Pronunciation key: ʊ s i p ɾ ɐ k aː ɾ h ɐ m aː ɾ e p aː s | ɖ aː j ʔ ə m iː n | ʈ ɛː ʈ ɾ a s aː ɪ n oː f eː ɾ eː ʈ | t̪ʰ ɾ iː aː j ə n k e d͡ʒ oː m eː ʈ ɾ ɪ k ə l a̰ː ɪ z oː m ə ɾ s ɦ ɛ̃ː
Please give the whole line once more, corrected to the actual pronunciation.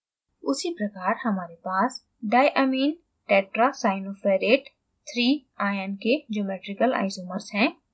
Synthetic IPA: ʊ s i p ɾ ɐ k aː ɾ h ɐ m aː ɾ e p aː s | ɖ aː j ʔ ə m iː n | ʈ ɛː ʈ ɾ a s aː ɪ n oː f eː ɾ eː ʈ | t̪ʰ ɾ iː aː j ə n k e d͡ʒ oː m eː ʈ ɾ ɪ k ə l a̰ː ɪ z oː m ə ɾ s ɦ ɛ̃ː

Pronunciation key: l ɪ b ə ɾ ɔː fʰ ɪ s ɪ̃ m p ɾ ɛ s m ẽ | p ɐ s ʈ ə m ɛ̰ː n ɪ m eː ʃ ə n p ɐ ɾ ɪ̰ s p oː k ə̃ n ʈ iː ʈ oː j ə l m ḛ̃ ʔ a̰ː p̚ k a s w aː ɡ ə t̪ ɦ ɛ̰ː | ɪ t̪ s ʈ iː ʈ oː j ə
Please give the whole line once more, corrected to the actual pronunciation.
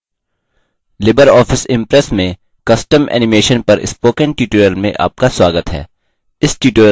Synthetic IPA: l ɪ b ə ɾ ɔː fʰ ɪ s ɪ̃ m p ɾ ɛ s m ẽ | k ɐ s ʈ ə m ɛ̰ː n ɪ m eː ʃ ə n p ɐ ɾ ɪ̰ s p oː k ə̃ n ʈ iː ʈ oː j ə l m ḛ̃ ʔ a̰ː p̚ k a s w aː ɡ ə t̪ ɦ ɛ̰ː | ɪ s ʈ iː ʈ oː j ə

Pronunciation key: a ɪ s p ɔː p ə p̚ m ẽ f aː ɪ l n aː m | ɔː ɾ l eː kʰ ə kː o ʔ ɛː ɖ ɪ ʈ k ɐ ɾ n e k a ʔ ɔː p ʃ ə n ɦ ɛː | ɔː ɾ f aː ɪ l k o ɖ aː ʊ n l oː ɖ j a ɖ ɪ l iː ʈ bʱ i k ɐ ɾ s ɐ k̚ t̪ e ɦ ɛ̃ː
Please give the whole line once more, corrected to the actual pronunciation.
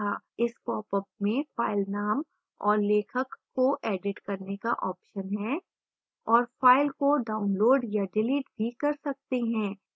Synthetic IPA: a ɪ s p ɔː p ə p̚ m ẽ f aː ɪ l n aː m | ɔː ɾ l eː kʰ ə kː o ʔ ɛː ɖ ɪ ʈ k ɐ ɾ n e k a ʔ ɔː p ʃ ə n ɦ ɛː | ɔː ɾ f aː ɪ l k o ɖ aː ʊ n l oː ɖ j a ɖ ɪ l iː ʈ bʱ i k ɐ ɾ s ɐ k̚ t̪ e ɦ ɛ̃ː

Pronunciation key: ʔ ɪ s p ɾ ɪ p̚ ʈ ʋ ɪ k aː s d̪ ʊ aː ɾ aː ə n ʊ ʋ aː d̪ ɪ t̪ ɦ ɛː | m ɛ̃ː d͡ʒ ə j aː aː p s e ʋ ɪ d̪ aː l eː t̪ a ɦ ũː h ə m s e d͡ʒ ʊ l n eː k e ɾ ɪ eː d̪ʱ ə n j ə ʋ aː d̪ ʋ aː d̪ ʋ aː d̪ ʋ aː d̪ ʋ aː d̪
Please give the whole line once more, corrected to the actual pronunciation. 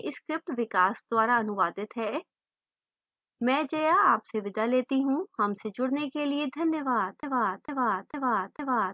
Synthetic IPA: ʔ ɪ s k ɾ ɪ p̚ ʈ ʋ ɪ k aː s d̪ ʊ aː ɾ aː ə n ʊ ʋ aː d̪ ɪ t̪ ɦ ɛː | m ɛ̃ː d͡ʒ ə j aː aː p s e ʋ ɪ d̪ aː l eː t̪ i ɦ ũː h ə m s e d͡ʒ ʊ ɽ n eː k e l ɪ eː d̪ʱ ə n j ə ʋ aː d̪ ʋ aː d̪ ʋ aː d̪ ʋ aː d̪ ʋ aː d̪

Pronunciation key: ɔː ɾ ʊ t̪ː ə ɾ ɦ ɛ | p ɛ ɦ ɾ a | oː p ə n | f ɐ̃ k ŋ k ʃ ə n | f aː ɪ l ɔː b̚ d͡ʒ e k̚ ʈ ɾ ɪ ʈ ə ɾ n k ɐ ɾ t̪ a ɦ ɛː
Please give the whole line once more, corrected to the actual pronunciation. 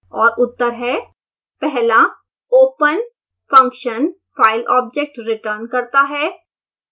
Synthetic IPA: ɔː ɾ ʊ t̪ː ə ɾ ɦ ɛ | p ɛ ɦ l a | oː p ə n | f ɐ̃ ŋ k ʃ ə n | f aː ɪ l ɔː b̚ d͡ʒ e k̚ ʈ ɾ ɪ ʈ ə ɾ n k ɐ ɾ t̪ a ɦ ɛː

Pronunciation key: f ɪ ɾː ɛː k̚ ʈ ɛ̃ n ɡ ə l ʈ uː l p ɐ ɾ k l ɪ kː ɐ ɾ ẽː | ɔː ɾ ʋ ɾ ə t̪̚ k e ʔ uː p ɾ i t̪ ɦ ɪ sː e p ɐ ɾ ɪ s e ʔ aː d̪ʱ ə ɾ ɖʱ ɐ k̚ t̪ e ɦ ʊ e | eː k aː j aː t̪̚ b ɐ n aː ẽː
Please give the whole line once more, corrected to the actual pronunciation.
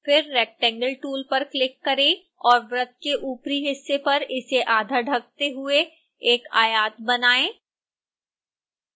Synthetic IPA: f ɪ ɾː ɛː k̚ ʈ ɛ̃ ŋ ɡ ə l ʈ uː l p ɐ ɾ k l ɪ kː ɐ ɾ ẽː | ɔː ɾ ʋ ɾ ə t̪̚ k e ʔ uː p ɾ i ɦ ɪ sː e p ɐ ɾ ɪ s e ʔ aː d̪ʱ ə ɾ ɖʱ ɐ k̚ t̪ e ɦ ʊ e | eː k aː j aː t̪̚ b ɐ n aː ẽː

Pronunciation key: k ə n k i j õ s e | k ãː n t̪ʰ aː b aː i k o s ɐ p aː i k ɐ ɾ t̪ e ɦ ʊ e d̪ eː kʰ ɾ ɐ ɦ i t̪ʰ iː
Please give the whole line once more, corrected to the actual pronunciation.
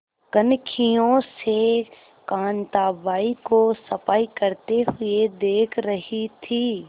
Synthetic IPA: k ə n kʰ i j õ s e | k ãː n t̪ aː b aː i k o s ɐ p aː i k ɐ ɾ t̪ e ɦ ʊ e d̪ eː kʰ ɾ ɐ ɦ i t̪ʰ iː

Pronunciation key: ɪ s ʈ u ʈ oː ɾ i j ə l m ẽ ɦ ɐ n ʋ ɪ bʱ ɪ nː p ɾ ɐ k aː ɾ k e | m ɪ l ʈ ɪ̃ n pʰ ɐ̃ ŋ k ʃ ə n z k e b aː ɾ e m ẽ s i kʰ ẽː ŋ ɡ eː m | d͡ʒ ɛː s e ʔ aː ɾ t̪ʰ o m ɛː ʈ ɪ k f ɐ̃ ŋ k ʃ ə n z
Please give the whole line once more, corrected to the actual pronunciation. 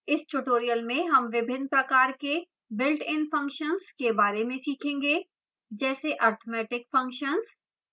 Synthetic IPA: ɪ s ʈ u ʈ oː ɾ i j ə l m ẽ ɦ ɐ m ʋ ɪ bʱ ɪ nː p ɾ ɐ k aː ɾ k e | b ɪ l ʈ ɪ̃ n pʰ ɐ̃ ŋ k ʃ ə n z k e b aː ɾ e m ẽ s iː kʰ ẽː ŋ ɡ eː | d͡ʒ ɛː s e ʔ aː ɾ t̪ʰ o m ɛː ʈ ɪ k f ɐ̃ ŋ k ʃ ə n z

